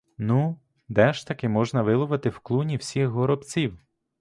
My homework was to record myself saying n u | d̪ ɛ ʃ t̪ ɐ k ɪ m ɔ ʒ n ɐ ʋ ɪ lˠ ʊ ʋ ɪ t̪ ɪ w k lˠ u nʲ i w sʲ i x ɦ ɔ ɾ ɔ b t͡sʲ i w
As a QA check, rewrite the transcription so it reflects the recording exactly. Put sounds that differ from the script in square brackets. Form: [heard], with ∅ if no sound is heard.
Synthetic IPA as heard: n u | d̪ ɛ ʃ t̪ ɐ k ɪ m ɔ ʒ n ɐ ʋ ɪ lˠ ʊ ʋ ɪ t̪ ɪ w k lˠ u nʲ i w sʲ i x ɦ ɔ ɾ ɔ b t͡sʲ i w

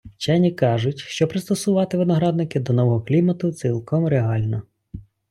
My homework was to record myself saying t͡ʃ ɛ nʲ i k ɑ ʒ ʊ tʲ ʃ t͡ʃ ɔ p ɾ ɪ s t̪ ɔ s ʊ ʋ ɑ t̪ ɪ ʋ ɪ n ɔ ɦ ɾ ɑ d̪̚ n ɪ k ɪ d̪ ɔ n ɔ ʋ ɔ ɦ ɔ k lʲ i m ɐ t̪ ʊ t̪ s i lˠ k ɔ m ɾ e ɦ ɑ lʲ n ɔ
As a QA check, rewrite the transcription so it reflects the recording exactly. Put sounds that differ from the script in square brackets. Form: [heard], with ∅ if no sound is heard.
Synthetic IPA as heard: t͡ʃ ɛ nʲ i k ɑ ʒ ʊ tʲ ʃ t͡ʃ ɔ p ɾ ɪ s t̪ ɔ s ʊ ʋ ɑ t̪ ɪ ʋ ɪ n ɔ ɦ ɾ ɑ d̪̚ n ɪ k ɪ d̪ ɔ n ɔ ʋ ɔ ɦ ɔ k lʲ i m ɐ t̪ ʊ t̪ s i lˠ k ɔ m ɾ e ɦ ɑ lʲ n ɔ

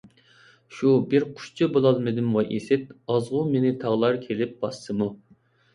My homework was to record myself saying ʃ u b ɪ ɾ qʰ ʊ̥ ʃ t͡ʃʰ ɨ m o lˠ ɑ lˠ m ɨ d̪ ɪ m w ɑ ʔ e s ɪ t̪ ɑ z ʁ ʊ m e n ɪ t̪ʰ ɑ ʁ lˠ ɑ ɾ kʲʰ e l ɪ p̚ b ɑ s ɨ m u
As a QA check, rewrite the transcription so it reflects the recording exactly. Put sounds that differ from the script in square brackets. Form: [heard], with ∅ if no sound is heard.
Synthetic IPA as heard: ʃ u b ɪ ɾ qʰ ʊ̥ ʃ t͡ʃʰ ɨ [b] o lˠ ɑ lˠ m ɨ d̪ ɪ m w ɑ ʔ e s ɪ t̪ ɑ z ʁ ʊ m e n ɪ t̪ʰ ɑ ʁ lˠ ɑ ɾ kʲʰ e l ɪ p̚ b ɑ s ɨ m u

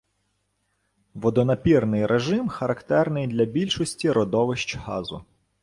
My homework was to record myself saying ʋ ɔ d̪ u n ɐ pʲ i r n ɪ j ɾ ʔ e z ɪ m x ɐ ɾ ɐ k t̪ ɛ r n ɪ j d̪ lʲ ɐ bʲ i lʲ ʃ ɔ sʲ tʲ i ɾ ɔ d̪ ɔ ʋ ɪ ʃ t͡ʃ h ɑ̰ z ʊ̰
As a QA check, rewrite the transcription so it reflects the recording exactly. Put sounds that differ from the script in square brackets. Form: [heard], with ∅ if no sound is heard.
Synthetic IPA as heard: ʋ ɔ d̪ [ɔ] n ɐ pʲ i r n ɪ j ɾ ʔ e [ʒ] ɪ m x ɐ ɾ ɐ k t̪ ɛ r n ɪ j d̪ lʲ ɐ bʲ i lʲ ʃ ɔ sʲ tʲ i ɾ ɔ d̪ ɔ ʋ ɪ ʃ t͡ʃ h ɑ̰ z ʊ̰

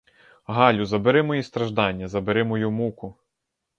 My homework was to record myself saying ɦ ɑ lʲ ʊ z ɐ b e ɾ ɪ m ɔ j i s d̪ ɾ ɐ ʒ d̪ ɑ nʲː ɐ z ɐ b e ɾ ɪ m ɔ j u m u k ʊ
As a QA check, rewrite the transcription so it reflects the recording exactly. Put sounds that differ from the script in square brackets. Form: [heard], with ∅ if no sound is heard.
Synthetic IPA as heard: ɦ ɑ lʲ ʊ z ɐ b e ɾ ɪ m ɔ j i s [t̪] ɾ ɐ ʒ d̪ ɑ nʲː ɐ z ɐ b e ɾ ɪ m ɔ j u m u k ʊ

